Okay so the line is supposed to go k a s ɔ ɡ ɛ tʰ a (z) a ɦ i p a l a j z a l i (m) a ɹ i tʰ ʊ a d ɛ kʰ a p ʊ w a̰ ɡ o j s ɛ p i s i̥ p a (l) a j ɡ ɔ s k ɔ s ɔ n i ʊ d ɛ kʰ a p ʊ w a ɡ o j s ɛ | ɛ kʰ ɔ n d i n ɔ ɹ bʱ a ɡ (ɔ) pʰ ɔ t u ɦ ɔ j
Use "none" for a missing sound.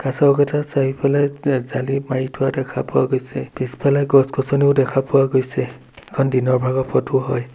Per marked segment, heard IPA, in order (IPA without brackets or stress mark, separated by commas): s, m, l, ɔ